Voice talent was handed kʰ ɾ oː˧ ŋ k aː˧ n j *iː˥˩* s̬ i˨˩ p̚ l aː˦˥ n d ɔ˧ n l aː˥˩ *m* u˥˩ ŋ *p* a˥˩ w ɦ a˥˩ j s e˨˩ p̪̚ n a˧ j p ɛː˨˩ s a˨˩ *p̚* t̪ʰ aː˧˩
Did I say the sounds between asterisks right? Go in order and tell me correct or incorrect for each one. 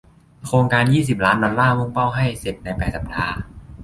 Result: correct, correct, correct, correct

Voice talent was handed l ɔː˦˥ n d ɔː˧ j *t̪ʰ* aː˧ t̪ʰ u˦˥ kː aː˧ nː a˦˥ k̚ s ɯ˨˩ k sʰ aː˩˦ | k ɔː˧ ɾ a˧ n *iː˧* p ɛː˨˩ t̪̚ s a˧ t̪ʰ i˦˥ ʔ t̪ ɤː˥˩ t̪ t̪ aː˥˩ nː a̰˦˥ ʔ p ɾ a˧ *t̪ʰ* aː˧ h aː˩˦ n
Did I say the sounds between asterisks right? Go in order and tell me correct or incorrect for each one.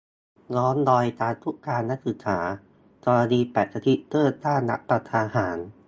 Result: incorrect, correct, correct

